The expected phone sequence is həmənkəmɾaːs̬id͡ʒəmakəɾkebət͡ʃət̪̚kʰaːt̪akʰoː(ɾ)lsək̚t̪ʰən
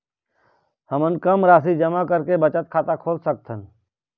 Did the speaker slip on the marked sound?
yes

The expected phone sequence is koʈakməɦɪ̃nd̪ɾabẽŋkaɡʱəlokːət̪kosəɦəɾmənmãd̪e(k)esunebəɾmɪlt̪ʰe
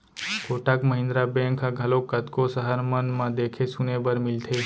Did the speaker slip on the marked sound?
yes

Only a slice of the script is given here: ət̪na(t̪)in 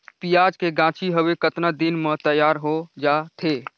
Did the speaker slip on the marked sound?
yes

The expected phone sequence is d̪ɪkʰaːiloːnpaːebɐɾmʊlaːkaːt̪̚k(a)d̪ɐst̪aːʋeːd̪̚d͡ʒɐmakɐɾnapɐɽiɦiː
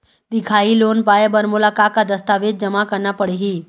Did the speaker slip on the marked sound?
no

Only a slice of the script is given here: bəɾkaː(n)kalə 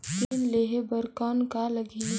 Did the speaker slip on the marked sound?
no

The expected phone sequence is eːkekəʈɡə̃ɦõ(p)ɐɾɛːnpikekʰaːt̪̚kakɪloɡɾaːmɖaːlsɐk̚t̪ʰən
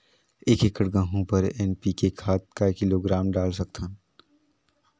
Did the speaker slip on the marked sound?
no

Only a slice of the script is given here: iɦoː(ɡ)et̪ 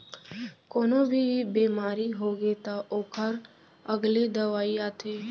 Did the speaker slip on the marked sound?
no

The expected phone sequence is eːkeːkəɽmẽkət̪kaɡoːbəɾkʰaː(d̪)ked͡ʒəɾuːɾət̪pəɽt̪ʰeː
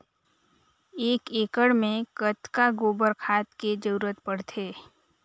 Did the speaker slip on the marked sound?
yes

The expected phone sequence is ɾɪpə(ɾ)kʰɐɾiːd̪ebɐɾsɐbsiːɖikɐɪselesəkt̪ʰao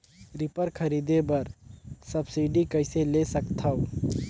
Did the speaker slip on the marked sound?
no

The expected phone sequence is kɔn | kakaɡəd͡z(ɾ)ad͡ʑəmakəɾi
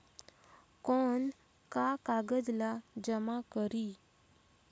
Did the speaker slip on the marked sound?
yes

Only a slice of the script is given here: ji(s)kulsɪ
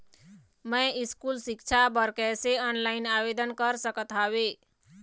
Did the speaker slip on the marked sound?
no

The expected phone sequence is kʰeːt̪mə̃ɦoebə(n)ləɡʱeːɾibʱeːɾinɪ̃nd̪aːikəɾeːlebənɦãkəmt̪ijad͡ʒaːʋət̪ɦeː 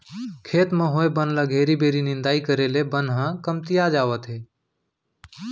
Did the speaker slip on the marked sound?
no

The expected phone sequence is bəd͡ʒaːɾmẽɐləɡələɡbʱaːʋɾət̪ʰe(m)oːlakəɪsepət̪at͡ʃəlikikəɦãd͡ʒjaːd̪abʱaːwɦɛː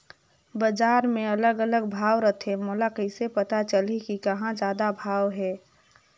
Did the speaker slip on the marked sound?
no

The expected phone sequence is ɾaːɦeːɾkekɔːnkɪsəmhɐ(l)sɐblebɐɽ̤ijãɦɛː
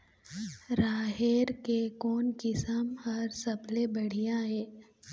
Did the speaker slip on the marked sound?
yes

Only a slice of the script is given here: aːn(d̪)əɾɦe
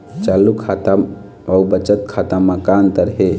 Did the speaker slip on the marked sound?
yes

